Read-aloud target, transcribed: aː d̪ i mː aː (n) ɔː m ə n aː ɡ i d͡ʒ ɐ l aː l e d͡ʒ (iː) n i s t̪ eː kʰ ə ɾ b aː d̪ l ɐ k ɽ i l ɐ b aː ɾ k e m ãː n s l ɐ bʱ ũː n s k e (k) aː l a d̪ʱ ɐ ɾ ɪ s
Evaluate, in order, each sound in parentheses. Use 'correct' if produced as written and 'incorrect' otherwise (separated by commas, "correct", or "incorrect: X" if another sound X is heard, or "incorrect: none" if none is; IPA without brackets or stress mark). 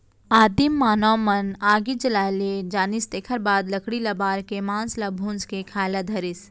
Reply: correct, incorrect: aː, incorrect: kʰ